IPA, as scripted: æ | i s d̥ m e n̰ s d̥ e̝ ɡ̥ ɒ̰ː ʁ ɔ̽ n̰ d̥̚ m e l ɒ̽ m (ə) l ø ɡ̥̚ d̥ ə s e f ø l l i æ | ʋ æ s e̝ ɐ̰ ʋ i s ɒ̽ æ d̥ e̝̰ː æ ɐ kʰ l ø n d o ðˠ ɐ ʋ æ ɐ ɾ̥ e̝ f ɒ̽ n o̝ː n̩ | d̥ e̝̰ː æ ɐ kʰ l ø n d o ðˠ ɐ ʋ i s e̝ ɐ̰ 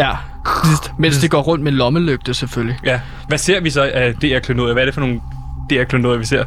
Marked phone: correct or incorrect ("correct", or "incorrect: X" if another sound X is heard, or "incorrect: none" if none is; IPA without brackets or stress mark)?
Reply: correct